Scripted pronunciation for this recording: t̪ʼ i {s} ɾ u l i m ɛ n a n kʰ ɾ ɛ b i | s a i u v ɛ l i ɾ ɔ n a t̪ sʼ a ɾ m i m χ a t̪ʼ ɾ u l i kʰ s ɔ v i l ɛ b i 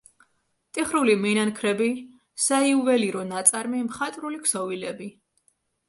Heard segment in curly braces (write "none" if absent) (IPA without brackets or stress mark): χ